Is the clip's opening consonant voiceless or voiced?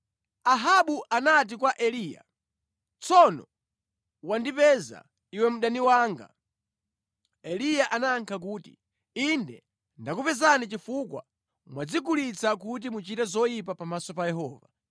voiced